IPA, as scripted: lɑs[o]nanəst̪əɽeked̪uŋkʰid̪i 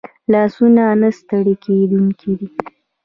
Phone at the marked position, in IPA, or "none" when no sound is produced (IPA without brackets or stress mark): u